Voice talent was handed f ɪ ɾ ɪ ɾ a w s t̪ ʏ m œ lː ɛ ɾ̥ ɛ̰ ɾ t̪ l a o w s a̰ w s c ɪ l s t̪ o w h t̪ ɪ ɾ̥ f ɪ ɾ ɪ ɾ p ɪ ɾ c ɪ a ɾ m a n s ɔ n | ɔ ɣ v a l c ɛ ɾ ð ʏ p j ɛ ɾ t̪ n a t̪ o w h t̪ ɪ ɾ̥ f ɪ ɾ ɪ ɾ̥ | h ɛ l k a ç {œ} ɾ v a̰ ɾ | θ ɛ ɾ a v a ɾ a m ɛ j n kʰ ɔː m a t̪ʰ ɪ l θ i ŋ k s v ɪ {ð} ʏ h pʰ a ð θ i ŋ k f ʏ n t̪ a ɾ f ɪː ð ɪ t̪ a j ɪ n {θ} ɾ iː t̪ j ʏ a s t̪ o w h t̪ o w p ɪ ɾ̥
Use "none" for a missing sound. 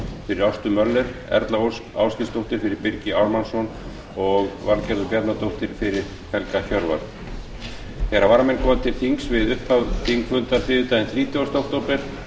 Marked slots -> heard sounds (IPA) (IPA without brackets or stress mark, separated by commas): œ, ð, θ